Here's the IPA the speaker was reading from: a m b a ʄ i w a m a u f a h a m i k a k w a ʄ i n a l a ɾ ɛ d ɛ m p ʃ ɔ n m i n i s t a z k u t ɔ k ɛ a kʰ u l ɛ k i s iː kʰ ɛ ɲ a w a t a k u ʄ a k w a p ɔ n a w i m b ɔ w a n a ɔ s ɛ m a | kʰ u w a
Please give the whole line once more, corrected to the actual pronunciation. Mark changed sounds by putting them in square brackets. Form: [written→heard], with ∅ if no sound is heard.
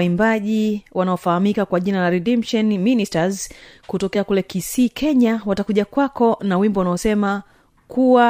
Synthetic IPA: [a→i] m b a ʄ i w a [m→n] a [u→ɔ] f a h a m i k a k w a ʄ i n a l a ɾ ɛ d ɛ m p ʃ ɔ n m i n i s t a z k u t ɔ k ɛ a [kʰ→k] u l ɛ k i s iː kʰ ɛ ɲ a w a t a k u ʄ a k w a [p→k] ɔ n a w i m b ɔ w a n a ɔ s ɛ m a | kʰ u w a